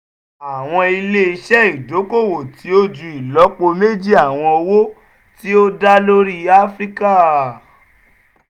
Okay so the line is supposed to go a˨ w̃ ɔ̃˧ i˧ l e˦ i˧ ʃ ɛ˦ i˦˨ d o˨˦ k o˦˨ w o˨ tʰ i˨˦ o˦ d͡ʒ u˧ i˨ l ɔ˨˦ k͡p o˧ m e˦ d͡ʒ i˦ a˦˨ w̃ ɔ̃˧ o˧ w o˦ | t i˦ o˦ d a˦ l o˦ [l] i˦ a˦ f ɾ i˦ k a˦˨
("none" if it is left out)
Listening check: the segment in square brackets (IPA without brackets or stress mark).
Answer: ɾ